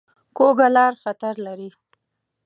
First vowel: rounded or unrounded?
rounded